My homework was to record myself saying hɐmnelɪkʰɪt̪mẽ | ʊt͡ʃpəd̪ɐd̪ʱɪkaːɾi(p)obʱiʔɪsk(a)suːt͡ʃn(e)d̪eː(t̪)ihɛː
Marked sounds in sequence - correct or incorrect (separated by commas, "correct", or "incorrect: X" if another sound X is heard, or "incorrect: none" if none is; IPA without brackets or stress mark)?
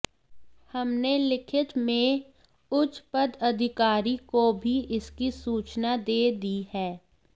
incorrect: k, incorrect: i, incorrect: a, incorrect: d̪